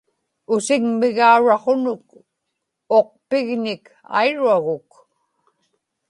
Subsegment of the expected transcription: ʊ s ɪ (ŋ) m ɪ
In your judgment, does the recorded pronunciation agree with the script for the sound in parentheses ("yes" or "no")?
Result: yes